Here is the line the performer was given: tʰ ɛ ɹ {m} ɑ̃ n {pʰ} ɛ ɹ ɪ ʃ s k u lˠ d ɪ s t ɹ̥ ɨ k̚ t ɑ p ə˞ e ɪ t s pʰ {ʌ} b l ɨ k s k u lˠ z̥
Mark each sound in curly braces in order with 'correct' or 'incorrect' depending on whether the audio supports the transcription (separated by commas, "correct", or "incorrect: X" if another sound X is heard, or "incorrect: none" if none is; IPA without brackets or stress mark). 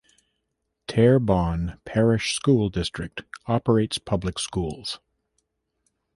incorrect: b, correct, correct